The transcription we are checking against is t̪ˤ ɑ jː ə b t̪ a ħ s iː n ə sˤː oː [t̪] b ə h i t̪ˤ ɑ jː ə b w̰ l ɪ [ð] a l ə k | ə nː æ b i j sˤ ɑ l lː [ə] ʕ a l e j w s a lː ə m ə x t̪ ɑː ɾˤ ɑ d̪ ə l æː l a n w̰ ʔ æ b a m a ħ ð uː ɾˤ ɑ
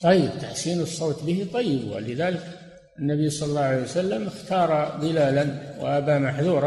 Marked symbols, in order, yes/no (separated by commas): yes, yes, no